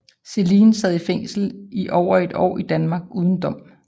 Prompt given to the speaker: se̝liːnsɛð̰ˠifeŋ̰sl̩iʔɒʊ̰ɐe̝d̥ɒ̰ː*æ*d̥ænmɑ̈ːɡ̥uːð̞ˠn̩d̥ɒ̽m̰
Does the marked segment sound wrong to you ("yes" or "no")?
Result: yes